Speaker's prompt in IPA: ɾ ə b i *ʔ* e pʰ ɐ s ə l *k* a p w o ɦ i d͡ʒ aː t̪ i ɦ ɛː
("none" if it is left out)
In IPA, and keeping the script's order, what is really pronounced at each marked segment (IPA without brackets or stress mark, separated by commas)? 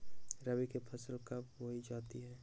k, k